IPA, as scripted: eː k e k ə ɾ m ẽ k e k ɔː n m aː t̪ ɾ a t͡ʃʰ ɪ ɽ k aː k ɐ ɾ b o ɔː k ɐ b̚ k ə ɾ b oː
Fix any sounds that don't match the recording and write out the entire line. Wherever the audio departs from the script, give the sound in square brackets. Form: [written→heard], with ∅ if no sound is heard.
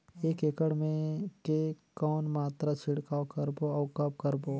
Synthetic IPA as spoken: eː k e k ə [ɾ→ɽ] m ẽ k e k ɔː n m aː t̪ ɾ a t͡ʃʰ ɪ ɽ k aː k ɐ ɾ b o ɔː k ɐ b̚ k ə ɾ b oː